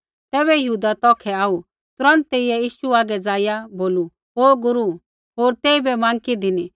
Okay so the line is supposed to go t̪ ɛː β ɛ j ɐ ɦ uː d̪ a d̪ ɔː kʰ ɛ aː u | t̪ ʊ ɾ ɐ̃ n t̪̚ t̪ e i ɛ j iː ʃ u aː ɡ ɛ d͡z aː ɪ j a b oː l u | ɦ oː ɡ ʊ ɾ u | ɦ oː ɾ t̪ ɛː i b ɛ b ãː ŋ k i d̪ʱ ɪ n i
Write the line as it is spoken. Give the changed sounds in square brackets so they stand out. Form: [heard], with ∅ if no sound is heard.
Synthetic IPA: t̪ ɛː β ɛ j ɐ ɦ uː d̪ a [t̪] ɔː kʰ ɛ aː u | t̪ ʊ ɾ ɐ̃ n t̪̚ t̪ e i ɛ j iː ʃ u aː ɡ ɛ d͡z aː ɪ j a b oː l u | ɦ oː ɡ ʊ ɾ u | ɦ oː ɾ t̪ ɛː i b ɛ [m] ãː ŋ k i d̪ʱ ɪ n i